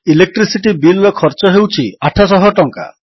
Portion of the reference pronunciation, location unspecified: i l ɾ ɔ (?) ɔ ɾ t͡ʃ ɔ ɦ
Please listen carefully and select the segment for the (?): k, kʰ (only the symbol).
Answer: kʰ